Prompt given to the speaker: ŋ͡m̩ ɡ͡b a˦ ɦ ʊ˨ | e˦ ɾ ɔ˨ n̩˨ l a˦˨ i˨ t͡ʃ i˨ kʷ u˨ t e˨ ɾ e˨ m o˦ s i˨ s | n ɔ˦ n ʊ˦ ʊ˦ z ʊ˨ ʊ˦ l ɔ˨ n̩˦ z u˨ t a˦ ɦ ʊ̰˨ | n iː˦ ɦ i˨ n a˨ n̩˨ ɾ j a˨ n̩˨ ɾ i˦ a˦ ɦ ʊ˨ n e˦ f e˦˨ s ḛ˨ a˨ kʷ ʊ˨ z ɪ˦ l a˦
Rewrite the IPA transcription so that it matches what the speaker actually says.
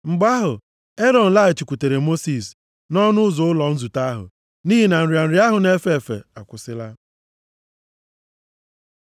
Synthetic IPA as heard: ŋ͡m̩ ɡ͡b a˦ ɦ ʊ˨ | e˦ ɾ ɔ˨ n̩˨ l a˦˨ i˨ t͡ʃ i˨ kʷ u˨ t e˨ ɾ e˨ m o˦ s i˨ s | n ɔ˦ n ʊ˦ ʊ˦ z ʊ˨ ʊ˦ l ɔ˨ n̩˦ z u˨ t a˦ ɦ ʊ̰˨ | n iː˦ ɦ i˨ n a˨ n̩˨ ɾ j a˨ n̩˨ ɾ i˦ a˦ ɦ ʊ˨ n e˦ f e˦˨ f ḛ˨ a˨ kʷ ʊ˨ s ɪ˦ l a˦

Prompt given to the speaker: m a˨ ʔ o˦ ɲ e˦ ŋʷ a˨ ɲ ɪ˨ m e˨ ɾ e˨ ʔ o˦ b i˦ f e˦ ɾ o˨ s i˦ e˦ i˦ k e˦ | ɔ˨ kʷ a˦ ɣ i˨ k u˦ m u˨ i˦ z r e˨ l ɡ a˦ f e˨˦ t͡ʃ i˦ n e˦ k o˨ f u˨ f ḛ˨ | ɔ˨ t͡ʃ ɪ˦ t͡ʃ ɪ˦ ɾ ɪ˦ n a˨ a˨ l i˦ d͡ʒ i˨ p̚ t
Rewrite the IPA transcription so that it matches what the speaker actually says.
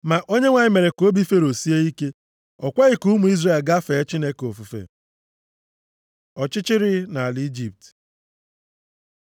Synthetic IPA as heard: m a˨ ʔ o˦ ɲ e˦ ŋʷ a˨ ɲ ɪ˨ m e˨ ɾ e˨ k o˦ b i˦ f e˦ ɾ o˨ s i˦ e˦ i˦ k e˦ | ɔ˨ kʷ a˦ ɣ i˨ k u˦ m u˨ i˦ z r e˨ l ɡ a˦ f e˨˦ t͡ʃ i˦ n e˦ k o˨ f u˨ f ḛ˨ | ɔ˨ t͡ʃ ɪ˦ t͡ʃ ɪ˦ ɾ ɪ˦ n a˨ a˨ l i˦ d͡ʒ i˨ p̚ t

